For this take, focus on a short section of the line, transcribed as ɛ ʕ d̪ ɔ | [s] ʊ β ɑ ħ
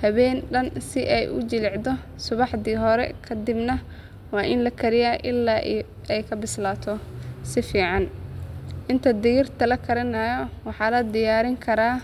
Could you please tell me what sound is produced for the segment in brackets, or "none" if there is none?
s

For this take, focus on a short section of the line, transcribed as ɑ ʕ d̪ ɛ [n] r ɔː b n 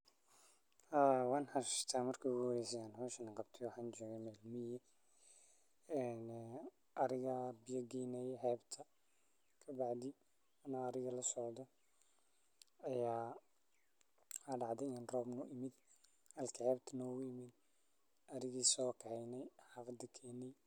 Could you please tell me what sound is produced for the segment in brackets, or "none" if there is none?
n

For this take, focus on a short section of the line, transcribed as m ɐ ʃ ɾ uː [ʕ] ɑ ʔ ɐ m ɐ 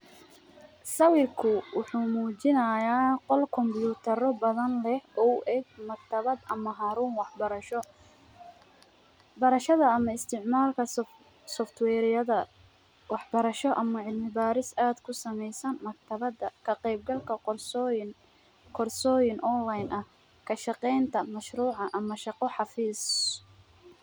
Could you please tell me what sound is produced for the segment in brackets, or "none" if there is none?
ʕ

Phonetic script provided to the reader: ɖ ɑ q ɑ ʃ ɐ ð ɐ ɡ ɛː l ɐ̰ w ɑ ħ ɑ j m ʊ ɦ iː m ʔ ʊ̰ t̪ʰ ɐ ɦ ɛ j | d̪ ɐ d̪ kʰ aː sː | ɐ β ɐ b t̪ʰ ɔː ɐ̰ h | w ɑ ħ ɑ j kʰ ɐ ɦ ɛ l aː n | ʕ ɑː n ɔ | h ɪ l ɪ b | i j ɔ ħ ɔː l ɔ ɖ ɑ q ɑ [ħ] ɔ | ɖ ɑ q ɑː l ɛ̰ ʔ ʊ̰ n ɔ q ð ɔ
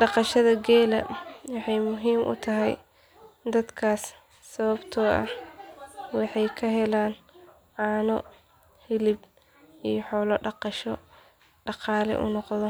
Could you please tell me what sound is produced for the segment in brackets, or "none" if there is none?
ʃ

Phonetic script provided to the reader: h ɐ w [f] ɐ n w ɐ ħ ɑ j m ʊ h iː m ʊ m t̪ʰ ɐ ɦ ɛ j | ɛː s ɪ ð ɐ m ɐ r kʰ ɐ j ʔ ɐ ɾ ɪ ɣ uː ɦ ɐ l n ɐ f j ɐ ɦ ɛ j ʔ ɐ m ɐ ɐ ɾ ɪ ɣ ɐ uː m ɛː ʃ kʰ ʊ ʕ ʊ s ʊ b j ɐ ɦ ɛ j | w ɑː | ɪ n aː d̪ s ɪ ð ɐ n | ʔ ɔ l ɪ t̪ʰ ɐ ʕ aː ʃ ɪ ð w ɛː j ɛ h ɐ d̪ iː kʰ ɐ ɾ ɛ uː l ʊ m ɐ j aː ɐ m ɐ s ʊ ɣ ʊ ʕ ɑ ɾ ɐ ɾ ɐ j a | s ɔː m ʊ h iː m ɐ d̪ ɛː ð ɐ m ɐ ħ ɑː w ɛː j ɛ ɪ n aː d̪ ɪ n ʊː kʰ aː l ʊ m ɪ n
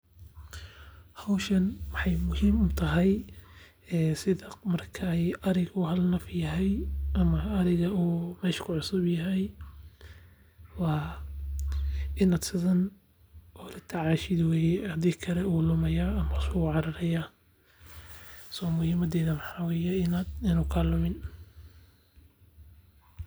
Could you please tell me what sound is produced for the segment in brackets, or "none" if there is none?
ʃ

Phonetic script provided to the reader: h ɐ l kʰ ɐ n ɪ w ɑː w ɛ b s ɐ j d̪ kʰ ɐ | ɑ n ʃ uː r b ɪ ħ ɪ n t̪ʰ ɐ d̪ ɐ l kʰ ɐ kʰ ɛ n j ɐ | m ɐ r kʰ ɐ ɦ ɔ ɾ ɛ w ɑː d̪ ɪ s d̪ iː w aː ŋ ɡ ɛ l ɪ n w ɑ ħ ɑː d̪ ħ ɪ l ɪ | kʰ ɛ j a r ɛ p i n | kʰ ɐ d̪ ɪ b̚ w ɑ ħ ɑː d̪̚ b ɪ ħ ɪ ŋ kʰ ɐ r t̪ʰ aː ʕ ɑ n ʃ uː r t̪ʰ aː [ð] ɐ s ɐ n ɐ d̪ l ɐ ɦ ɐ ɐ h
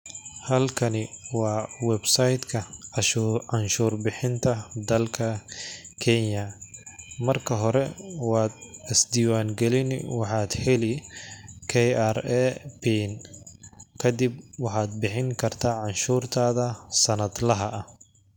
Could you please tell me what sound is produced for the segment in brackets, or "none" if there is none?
ð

